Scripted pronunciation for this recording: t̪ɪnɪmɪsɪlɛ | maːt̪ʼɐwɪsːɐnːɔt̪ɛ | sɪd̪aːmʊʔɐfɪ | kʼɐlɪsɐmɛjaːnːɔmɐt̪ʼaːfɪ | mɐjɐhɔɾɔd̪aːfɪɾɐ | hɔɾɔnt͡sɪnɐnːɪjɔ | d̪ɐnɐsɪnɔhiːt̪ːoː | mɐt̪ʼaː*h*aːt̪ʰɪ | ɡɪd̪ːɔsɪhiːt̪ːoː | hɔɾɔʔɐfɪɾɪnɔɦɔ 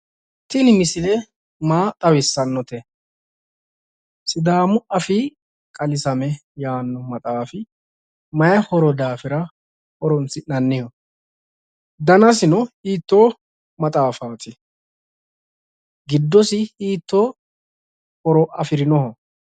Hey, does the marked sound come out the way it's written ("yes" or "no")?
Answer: no